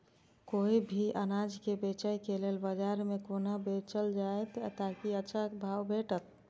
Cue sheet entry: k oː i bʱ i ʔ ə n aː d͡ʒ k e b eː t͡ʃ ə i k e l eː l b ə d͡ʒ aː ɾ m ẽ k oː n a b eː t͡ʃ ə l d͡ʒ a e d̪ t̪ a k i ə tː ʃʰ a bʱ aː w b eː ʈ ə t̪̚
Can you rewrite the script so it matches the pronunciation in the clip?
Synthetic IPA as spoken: k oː i bʱ i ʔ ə n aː d͡ʒ k e b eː t͡ʃ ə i k e l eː l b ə d͡ʒ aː ɾ m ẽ k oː n a b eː t͡ʃ ə l d͡ʒ a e t̪ t̪ a k i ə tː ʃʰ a bʱ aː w b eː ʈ ə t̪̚